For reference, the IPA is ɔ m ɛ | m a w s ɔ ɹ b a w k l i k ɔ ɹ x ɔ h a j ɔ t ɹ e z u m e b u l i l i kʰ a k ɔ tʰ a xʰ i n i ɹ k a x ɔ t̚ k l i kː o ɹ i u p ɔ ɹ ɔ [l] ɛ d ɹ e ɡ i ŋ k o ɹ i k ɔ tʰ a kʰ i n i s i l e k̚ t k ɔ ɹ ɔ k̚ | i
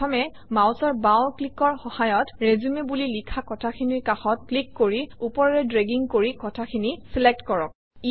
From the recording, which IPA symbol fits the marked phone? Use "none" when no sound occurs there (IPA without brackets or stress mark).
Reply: ɹ